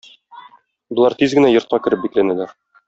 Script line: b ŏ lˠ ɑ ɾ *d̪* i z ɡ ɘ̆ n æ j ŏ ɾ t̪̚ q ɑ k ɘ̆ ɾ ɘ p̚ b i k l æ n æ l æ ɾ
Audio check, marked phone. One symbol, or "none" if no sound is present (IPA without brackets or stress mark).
t̪